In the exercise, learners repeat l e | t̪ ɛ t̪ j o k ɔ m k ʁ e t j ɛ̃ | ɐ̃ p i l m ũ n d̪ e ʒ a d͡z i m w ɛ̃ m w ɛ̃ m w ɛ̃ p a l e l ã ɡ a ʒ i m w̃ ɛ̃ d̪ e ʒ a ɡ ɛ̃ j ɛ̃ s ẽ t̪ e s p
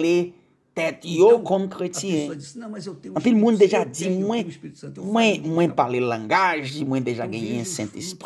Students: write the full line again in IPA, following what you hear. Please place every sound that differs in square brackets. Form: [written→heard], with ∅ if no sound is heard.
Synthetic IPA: l e | t̪ ɛ t̪ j o k ɔ m k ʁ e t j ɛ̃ | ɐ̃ p i l m ũ n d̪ e ʒ a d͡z i m w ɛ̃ m w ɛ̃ m w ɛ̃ p a l e l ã ɡ a ʒ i m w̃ ɛ̃ d̪ e ʒ a ɡ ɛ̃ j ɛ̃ s [ẽ→ɛ̃] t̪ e s p